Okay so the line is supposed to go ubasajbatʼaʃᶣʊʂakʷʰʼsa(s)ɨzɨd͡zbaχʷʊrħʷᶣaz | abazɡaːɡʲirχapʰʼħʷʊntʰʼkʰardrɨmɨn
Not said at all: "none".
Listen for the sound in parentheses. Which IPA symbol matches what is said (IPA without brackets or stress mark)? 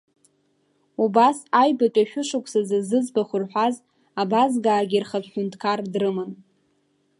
z